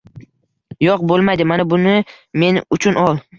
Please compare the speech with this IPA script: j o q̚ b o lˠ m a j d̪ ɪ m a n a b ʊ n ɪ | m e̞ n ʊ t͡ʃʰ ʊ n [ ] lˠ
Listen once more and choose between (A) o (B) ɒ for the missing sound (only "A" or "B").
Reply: B